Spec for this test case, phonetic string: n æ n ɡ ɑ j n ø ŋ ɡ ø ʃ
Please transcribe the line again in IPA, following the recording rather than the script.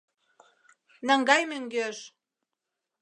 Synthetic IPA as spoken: n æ ŋ ɡ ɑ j m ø ŋ ɡ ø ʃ